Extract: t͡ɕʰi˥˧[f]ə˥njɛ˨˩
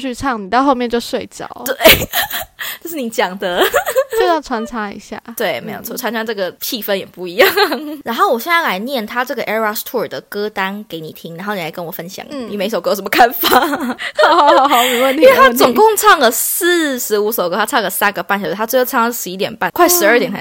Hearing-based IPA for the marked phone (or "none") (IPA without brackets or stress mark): f